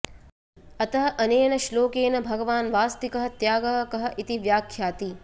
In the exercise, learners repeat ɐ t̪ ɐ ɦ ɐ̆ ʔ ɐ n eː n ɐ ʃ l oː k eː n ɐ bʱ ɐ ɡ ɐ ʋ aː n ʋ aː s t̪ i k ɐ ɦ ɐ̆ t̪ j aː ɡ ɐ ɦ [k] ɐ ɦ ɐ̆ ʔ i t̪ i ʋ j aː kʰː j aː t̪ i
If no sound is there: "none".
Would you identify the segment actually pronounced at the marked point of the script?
k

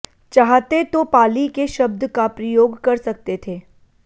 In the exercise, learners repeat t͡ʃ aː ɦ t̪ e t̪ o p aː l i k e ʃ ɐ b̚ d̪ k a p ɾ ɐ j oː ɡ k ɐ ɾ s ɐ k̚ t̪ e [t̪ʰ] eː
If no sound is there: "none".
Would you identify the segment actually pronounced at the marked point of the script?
t̪ʰ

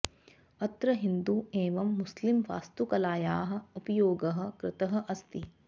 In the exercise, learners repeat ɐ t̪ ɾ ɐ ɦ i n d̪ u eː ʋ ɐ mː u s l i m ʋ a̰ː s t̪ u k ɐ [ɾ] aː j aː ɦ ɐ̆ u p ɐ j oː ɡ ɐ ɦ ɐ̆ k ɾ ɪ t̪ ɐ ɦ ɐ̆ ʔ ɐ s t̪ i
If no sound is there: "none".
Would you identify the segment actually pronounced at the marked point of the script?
l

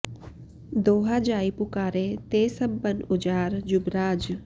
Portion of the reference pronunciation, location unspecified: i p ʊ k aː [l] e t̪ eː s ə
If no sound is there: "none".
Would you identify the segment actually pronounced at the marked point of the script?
ɾ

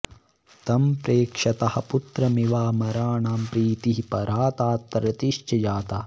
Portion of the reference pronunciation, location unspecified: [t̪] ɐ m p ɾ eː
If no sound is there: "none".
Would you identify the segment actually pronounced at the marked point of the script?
t̪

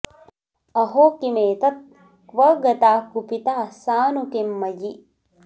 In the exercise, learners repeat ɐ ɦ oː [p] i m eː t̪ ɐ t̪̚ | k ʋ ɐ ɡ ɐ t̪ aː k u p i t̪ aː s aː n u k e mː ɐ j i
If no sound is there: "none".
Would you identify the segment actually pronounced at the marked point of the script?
k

